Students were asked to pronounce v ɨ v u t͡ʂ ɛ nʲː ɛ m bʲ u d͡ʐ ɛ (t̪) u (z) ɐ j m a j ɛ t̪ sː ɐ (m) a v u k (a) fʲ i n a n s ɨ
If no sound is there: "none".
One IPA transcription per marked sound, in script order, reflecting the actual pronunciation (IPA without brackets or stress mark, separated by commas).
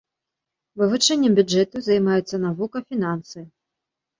t̪, z, n, ɐ